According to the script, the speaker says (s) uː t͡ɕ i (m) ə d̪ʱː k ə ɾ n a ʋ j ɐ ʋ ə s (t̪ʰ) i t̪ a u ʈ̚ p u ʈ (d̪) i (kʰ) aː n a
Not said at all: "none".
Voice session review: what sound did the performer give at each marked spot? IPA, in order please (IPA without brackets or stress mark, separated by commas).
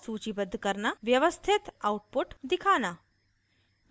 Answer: s, b, t̪ʰ, d̪, kʰ